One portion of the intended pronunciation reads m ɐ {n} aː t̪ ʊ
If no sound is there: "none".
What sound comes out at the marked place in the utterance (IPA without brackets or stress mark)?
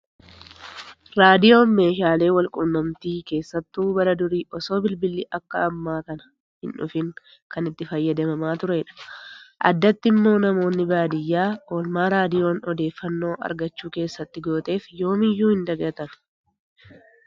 m